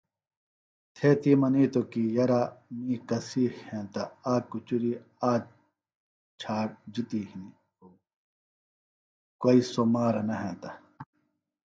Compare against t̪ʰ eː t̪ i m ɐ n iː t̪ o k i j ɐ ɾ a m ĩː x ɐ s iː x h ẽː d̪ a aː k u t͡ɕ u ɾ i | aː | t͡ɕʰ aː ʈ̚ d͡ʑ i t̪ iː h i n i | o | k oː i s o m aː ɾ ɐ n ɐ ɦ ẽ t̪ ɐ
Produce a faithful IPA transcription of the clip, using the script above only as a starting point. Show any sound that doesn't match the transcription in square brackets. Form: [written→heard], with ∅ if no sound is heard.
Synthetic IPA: t̪ʰ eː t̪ i m ɐ n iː t̪ o k i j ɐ ɾ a m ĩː [x→k] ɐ s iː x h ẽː [d̪→t̪] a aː k u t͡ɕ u ɾ i | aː | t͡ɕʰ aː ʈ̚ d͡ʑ i t̪ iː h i n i | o | k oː i s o m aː ɾ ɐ n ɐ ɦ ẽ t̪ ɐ